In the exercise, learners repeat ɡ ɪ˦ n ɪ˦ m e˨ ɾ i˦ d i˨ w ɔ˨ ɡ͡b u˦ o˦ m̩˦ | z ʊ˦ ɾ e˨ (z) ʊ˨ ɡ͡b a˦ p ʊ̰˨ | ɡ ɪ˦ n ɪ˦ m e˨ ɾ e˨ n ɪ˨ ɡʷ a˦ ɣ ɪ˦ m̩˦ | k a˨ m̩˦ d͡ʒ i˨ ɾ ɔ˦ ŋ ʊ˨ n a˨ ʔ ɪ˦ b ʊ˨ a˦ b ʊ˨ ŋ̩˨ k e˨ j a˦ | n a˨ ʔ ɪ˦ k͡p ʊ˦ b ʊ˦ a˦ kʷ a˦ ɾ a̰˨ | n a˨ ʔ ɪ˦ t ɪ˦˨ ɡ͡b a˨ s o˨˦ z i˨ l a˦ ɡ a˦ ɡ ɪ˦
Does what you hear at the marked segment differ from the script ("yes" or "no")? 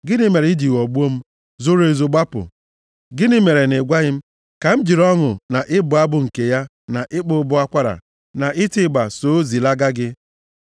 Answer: no